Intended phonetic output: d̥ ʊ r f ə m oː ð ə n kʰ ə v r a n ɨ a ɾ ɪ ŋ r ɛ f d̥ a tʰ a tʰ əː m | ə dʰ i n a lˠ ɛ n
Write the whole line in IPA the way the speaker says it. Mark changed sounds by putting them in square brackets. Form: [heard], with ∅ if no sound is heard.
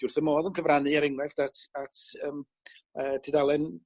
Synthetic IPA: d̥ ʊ r [θ] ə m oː ð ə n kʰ ə v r a n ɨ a ɾ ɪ ŋ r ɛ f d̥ a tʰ a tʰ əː m | ə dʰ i [d] a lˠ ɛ n